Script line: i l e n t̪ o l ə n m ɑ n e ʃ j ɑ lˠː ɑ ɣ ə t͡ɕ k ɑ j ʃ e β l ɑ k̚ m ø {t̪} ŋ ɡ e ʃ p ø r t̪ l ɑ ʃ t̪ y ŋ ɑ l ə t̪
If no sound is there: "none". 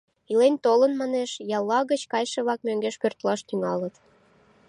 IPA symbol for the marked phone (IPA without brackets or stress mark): none